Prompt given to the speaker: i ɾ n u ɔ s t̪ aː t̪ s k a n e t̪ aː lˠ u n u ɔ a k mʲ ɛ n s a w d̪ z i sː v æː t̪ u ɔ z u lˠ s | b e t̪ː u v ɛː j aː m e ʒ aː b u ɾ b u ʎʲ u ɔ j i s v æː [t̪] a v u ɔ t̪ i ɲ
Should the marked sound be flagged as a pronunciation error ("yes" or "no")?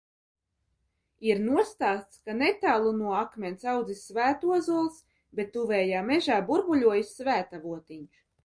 no